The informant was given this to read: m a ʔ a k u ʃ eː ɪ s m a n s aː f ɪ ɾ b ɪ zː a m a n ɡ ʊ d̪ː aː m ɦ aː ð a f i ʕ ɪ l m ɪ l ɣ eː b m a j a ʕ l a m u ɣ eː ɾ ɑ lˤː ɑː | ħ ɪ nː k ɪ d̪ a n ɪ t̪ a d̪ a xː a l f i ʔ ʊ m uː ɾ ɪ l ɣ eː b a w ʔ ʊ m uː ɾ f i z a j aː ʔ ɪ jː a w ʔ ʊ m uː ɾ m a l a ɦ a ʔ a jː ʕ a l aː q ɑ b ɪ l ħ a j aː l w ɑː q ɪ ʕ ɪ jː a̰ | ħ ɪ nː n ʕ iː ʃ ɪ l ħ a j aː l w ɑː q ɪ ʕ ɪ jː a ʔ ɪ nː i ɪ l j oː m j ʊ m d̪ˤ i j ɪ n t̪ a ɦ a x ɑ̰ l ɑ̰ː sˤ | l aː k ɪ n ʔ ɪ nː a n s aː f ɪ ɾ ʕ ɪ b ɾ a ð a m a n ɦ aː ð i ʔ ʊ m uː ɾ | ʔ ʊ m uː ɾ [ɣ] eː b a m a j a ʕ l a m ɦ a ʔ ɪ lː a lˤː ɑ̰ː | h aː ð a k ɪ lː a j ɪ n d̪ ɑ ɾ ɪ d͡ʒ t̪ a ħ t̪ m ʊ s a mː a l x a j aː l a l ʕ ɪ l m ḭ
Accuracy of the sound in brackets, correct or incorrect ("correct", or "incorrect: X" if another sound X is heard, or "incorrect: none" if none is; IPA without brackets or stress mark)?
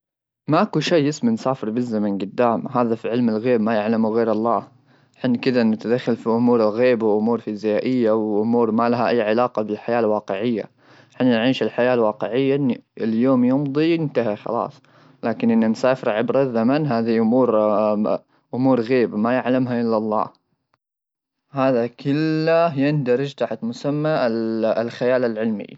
correct